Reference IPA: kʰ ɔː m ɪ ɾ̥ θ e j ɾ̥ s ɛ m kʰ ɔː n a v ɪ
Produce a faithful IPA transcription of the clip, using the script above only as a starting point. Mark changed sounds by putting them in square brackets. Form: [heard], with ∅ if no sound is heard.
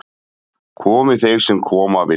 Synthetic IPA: kʰ ɔː m ɪ [∅] θ e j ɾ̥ s ɛ m kʰ ɔː [m] a v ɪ